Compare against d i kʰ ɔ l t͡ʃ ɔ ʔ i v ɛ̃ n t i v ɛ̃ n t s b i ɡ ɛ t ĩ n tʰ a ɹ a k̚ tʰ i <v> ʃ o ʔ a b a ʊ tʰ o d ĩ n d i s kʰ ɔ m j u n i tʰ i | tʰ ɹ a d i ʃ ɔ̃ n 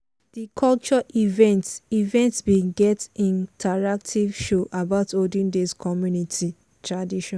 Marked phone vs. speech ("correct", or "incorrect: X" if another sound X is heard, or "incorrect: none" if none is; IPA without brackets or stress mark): correct